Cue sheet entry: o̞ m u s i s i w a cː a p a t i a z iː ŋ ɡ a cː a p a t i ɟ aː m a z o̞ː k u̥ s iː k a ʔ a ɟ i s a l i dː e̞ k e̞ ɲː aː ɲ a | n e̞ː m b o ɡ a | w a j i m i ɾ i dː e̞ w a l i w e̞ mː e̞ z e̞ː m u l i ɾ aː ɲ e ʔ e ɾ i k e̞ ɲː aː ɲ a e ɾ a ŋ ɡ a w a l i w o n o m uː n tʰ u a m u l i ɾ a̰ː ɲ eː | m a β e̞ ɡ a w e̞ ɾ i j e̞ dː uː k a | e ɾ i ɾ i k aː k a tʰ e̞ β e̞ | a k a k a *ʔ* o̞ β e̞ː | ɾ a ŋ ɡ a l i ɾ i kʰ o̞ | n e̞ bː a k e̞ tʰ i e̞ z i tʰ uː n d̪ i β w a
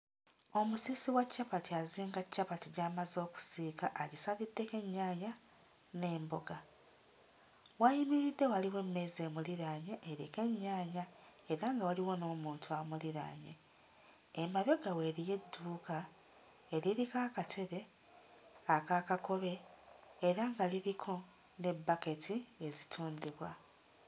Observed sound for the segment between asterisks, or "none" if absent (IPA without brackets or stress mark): k